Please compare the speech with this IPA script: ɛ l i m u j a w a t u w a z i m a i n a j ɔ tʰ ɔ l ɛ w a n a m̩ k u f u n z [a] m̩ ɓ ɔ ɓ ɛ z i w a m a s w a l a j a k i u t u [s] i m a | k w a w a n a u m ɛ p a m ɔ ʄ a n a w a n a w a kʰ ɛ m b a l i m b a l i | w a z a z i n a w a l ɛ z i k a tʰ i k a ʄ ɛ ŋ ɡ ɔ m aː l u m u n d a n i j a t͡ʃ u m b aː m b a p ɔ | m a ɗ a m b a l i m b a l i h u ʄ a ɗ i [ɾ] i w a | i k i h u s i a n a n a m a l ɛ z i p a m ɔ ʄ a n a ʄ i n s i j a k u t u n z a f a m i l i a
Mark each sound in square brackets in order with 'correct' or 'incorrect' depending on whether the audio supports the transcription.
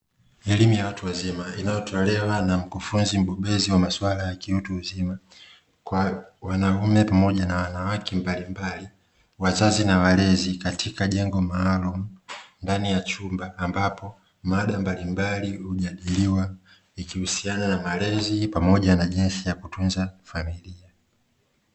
incorrect, incorrect, incorrect

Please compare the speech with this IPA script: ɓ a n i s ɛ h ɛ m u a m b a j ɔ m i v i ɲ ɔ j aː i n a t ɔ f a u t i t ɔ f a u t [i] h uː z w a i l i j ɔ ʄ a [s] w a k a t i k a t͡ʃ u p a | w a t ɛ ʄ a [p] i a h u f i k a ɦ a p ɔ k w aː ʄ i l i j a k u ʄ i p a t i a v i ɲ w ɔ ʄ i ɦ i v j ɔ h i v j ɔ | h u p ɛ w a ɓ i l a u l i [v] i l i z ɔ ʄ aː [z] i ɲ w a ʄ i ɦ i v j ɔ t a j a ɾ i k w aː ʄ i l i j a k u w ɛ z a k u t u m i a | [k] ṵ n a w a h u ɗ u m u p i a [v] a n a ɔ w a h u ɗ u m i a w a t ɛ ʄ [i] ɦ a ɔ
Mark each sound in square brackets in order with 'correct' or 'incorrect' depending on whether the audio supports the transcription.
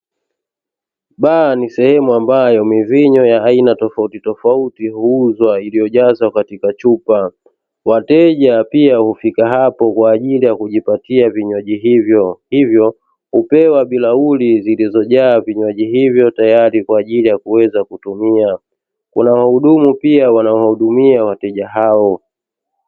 correct, incorrect, correct, incorrect, incorrect, correct, incorrect, incorrect

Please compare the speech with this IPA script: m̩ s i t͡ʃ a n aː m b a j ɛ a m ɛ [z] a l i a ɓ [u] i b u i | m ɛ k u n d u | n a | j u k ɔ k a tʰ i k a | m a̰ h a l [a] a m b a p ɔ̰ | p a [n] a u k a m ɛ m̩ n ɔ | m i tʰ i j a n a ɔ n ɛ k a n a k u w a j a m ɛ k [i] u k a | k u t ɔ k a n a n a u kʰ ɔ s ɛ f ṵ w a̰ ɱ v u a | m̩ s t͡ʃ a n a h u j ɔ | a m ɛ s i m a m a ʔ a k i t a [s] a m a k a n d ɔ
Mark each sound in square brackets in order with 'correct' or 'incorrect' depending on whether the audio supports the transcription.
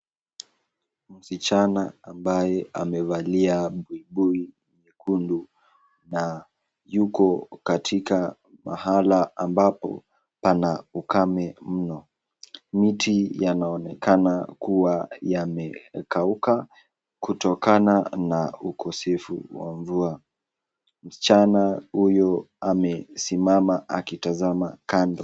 incorrect, correct, correct, correct, incorrect, incorrect

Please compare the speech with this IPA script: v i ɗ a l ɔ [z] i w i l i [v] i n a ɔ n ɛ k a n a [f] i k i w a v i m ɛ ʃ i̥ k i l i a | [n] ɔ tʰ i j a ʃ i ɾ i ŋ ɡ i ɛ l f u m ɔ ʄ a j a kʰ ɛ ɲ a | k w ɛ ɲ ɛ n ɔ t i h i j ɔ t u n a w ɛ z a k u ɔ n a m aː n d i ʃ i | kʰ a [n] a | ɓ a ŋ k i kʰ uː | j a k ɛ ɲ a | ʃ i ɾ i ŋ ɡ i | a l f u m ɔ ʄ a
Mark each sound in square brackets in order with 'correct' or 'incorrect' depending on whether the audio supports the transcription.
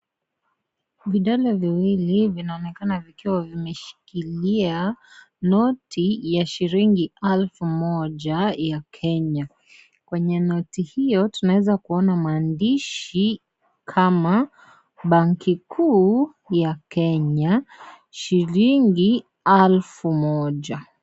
incorrect, correct, incorrect, correct, incorrect

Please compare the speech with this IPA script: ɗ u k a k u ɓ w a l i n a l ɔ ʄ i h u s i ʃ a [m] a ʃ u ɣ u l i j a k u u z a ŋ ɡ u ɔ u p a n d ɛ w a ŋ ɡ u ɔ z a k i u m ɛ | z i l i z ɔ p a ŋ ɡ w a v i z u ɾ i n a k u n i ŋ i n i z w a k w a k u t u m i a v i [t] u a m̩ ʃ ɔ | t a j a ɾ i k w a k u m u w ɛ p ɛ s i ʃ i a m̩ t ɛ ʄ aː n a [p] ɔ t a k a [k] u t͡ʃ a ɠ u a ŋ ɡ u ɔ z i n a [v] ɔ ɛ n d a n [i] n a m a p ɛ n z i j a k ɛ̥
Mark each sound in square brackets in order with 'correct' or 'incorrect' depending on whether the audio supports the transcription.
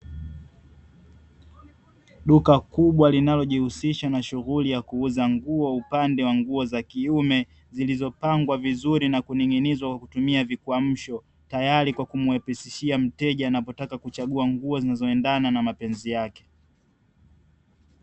incorrect, incorrect, correct, correct, incorrect, incorrect

